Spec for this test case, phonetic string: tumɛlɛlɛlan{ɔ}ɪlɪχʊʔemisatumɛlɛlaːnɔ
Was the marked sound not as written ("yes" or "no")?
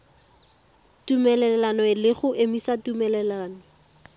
no